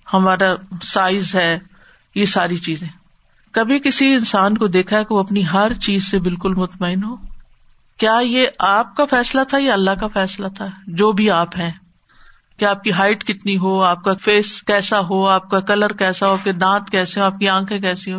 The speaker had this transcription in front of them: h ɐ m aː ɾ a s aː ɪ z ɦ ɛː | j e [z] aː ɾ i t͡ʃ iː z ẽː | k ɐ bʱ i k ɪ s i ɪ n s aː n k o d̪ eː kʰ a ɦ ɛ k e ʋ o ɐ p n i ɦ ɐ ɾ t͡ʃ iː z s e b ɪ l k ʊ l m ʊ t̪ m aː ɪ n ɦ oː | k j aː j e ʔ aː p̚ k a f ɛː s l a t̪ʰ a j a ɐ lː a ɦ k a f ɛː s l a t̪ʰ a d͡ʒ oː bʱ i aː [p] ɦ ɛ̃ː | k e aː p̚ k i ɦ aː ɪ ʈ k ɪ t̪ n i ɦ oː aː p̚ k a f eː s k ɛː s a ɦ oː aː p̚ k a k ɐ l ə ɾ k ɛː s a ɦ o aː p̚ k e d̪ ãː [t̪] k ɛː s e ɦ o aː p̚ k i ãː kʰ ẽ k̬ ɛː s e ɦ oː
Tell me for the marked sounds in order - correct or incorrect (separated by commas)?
incorrect, correct, correct